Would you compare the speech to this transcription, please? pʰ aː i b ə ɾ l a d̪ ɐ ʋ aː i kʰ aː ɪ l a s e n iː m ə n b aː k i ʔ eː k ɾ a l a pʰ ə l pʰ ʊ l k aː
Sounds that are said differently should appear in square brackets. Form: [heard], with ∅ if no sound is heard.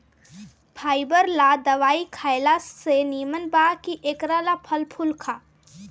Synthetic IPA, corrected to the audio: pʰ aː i b ə ɾ l a d̪ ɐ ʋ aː i kʰ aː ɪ l a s e n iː m ə n b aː k i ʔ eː k ɾ a l a pʰ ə l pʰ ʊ l [kʰ] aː